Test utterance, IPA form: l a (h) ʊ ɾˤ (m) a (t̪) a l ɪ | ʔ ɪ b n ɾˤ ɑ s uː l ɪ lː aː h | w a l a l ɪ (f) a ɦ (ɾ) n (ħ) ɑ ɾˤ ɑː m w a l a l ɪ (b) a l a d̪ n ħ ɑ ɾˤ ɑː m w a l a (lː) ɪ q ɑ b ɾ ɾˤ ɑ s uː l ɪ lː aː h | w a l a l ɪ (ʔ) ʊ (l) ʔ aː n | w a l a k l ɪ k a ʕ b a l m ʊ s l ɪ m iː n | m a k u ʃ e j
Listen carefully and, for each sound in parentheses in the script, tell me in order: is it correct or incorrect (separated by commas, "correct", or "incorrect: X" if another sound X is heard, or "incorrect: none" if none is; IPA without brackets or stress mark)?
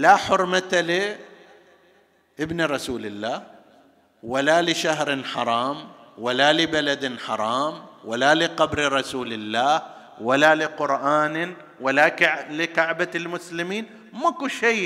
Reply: incorrect: ħ, correct, correct, incorrect: ʃ, correct, correct, correct, incorrect: l, incorrect: q, incorrect: ɾ